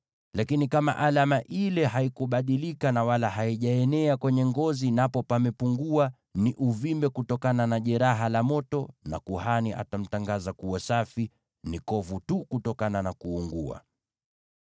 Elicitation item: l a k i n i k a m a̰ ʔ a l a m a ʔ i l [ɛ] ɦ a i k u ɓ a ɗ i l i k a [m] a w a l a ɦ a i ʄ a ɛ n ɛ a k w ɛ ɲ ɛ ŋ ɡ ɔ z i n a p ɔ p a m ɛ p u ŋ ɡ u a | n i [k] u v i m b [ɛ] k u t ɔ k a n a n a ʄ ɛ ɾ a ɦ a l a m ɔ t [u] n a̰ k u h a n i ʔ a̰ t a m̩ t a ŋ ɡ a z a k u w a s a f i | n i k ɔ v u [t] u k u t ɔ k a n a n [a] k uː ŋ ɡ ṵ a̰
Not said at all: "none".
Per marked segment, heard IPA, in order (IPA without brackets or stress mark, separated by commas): ɛ, n, ʔ, ɛ, ɔ, t, a